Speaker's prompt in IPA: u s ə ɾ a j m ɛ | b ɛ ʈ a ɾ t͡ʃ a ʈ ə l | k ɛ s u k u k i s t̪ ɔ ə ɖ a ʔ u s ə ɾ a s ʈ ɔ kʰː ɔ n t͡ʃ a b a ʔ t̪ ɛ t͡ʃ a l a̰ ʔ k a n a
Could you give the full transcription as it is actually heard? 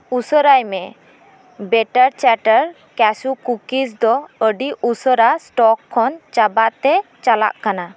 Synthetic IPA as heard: u s ə ɾ a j m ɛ | b ɛ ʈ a ɾ t͡ʃ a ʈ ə ɾ | k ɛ s u k u k i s d̪ ɔ ə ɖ i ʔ u s ə ɾ a s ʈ ɔ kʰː ɔ n t͡ʃ a b a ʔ t̪ ɛ t͡ʃ a l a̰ ʔ k a n a